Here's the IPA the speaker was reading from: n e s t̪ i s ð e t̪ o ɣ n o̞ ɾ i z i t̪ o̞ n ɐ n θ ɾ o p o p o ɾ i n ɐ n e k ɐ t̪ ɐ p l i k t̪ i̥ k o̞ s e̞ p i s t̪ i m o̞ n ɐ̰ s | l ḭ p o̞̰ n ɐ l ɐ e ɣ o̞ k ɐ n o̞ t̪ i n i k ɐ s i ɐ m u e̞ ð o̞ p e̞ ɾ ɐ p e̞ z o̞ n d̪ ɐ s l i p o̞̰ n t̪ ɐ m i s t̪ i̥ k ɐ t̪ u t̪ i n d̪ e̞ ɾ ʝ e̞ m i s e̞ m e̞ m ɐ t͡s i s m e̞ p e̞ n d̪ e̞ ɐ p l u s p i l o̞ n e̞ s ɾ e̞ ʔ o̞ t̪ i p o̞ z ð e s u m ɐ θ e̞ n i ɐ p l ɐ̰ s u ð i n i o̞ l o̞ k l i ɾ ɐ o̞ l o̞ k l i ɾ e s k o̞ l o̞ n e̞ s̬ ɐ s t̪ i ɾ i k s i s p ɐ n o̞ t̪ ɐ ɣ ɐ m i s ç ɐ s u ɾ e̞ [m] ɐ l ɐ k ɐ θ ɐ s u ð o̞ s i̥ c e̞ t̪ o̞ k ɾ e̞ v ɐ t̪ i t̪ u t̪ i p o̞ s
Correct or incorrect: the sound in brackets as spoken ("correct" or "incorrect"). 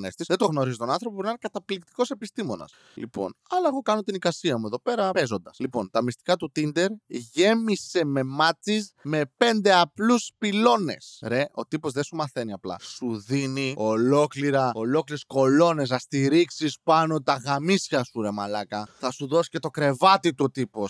correct